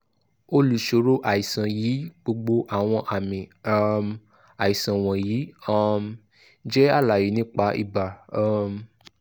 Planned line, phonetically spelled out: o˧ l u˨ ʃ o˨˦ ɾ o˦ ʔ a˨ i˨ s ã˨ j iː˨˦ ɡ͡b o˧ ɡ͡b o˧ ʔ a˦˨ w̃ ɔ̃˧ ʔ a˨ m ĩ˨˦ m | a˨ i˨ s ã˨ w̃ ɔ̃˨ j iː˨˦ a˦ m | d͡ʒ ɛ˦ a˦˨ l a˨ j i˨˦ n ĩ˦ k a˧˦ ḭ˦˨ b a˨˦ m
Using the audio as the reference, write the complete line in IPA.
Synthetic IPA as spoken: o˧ l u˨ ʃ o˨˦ ɾ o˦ ʔ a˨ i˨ s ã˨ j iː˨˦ ɡ͡b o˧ ɡ͡b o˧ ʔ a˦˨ w̃ ɔ̃˧ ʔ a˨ m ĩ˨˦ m | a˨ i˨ s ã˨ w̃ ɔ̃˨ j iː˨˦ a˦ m | d͡ʒ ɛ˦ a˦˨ l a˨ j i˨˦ n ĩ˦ k͡p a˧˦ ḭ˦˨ b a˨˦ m